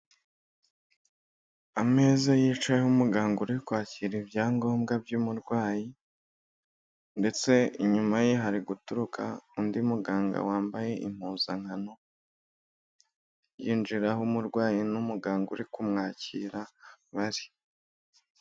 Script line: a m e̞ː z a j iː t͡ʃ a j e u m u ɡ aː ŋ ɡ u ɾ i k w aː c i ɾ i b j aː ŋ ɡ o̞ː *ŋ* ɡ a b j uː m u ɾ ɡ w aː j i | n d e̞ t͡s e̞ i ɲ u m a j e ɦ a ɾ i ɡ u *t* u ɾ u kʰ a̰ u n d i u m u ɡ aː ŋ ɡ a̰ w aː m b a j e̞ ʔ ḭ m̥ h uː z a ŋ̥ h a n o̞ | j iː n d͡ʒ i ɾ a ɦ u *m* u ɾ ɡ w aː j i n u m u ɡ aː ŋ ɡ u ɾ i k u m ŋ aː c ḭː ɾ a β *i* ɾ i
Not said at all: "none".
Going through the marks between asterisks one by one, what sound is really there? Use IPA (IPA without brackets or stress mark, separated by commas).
m, t, m, a